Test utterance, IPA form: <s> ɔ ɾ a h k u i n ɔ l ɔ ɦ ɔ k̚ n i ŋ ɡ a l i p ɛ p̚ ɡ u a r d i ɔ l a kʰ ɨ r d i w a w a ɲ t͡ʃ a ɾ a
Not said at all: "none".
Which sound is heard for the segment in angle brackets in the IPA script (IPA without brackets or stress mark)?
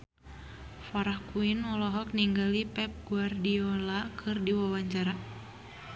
f